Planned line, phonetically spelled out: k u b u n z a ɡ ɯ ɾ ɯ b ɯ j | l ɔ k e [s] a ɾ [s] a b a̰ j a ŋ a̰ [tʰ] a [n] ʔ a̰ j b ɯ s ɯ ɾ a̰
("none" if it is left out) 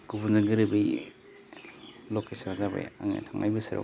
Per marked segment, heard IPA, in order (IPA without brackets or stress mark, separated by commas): s, z, tʰ, ŋ